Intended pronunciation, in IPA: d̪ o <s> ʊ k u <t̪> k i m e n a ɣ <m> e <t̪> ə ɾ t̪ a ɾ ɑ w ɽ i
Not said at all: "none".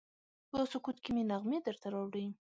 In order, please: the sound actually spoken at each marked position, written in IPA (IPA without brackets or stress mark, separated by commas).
s, t̪, m, d̪